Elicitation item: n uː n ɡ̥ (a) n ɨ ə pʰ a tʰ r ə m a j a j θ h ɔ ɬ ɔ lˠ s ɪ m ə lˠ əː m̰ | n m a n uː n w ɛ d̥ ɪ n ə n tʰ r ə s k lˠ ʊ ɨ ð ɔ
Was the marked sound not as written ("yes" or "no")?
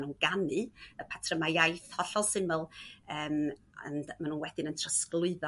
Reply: no